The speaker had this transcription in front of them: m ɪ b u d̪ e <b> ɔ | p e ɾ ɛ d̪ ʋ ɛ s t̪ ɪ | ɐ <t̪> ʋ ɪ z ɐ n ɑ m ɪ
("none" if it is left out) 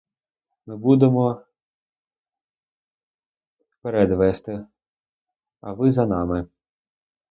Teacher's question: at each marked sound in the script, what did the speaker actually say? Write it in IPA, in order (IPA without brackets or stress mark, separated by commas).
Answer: m, none